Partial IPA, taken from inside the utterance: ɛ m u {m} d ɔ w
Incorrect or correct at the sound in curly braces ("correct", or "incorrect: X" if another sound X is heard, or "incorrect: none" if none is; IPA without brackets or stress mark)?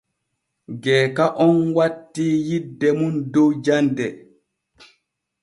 incorrect: n